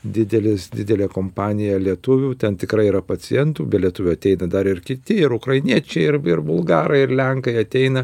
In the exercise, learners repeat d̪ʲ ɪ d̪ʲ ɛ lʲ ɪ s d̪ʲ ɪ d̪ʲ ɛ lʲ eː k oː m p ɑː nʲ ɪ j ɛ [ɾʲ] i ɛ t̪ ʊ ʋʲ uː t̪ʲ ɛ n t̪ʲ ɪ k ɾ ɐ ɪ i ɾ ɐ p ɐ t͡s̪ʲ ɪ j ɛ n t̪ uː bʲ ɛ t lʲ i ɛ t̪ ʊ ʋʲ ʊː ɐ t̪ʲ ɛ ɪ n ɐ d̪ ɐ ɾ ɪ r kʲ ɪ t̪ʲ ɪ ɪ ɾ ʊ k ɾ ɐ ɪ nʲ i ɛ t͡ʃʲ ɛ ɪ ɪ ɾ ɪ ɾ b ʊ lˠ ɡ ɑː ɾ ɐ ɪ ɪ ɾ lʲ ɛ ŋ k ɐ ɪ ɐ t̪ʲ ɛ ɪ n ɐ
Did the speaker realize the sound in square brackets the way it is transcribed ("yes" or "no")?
no